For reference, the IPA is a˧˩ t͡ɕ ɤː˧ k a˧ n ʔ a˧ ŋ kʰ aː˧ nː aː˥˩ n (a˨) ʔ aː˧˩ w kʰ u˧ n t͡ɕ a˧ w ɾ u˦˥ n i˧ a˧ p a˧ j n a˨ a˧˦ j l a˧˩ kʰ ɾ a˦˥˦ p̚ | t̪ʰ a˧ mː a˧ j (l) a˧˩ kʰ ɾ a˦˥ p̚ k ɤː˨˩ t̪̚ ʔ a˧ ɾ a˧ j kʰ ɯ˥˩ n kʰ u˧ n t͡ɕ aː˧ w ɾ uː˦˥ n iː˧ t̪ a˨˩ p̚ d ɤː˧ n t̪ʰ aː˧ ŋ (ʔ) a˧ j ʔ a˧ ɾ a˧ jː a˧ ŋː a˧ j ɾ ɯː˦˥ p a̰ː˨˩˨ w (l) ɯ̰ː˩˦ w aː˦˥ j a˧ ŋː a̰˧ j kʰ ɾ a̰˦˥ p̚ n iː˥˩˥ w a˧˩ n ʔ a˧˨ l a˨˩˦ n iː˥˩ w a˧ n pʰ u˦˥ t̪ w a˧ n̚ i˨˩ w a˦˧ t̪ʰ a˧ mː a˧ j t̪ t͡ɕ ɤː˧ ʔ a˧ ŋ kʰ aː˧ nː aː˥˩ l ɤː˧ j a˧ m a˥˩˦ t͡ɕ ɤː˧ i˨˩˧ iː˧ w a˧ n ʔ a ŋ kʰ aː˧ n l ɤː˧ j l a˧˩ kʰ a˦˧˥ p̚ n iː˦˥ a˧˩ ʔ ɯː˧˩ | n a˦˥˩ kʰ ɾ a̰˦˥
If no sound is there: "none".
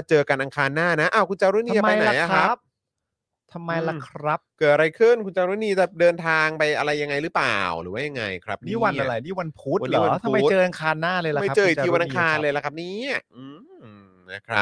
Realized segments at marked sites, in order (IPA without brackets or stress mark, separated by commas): a˦˥, l, p, ɾ